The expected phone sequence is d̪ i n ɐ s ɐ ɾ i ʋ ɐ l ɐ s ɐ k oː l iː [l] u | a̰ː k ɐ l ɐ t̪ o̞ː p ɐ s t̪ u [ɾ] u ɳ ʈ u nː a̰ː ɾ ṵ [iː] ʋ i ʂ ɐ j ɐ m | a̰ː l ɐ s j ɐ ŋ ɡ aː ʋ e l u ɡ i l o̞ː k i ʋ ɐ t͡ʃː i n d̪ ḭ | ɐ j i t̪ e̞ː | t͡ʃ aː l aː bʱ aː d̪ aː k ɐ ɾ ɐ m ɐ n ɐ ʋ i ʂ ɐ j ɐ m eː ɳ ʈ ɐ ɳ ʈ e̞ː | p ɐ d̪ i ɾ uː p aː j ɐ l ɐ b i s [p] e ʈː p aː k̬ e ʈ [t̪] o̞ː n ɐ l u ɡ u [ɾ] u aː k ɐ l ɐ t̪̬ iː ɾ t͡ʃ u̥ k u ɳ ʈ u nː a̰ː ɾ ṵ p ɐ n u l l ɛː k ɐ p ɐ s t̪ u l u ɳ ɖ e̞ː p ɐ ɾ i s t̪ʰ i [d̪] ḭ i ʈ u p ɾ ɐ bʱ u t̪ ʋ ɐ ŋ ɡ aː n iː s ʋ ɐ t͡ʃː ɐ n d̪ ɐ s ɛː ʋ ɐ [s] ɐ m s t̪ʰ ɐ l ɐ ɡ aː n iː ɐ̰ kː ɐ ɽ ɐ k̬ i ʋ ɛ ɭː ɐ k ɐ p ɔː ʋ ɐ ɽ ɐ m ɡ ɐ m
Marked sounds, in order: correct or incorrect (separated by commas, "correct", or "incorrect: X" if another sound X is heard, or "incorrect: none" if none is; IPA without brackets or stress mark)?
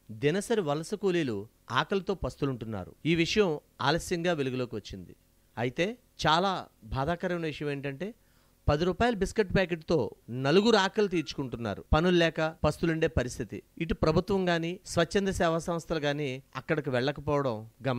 correct, incorrect: l, correct, incorrect: k, correct, correct, incorrect: t̪, correct